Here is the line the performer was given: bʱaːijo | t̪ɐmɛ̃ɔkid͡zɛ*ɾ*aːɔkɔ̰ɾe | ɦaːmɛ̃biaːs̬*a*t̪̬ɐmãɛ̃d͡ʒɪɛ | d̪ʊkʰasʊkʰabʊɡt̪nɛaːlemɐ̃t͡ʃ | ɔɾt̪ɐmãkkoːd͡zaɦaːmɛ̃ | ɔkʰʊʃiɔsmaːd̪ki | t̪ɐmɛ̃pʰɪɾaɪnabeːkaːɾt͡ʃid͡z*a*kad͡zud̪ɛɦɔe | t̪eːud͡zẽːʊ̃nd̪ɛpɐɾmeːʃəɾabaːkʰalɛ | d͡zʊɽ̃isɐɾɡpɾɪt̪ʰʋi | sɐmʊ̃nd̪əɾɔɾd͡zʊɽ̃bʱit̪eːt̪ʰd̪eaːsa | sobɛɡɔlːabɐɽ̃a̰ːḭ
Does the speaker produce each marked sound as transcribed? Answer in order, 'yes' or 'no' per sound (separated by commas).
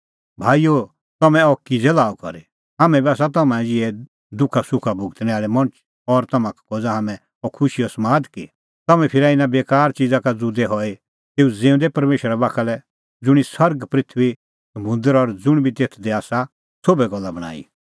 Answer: no, yes, yes